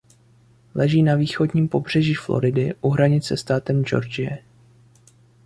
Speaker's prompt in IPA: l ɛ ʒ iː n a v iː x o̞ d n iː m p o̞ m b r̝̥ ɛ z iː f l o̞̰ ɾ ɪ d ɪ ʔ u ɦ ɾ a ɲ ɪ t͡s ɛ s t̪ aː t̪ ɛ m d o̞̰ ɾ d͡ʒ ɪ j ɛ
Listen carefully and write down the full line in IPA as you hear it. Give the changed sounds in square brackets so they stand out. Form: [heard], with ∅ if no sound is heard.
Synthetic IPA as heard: l ɛ ʒ iː n a v iː x o̞ d [ɲ] iː m p o̞ [∅] b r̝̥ ɛ [ʒ] iː f l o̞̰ ɾ ɪ d ɪ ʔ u ɦ ɾ a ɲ ɪ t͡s ɛ s t̪ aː t̪ ɛ m [d͡ʒ] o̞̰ ɾ d͡ʒ ɪ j ɛ